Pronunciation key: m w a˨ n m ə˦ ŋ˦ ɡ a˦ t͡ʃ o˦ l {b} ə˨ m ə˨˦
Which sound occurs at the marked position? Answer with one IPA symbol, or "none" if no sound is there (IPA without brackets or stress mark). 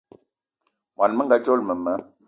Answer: m